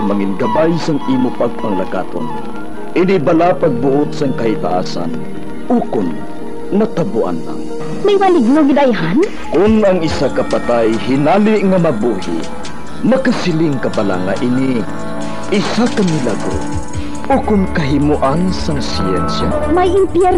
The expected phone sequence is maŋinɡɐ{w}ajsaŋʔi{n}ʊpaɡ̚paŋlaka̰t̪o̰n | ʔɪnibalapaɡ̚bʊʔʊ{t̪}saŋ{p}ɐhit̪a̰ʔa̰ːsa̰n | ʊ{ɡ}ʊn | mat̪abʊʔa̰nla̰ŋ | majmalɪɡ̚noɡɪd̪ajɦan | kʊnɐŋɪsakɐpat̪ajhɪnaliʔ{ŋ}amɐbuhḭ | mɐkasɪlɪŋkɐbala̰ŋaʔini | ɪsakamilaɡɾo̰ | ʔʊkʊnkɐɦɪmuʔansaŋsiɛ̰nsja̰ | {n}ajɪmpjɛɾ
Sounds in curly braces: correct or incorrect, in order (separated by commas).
incorrect, incorrect, correct, incorrect, incorrect, correct, incorrect